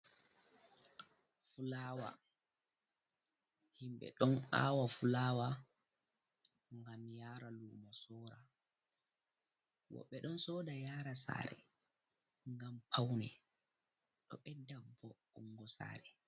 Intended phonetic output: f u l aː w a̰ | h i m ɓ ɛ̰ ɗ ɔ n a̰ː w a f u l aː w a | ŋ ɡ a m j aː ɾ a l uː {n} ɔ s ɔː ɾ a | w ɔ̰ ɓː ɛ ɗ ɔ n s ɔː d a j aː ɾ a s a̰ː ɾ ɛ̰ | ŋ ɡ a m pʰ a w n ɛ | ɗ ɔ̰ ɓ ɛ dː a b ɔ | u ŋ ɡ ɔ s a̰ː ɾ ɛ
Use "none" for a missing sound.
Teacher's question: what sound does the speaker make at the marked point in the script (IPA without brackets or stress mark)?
m